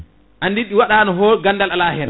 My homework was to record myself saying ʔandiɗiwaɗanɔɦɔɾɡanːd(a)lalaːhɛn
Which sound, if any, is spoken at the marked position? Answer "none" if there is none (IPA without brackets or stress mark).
a